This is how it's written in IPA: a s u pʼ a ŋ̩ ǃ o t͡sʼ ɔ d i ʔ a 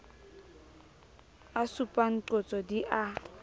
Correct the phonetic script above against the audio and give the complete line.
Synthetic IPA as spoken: a s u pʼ a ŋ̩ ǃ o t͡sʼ ɔ d i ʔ a